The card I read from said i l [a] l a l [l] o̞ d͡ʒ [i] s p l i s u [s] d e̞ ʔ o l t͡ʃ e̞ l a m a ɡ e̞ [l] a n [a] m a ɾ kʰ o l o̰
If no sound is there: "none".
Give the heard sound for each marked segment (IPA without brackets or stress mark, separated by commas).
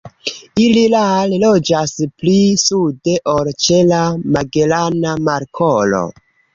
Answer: i, l, a, none, l, a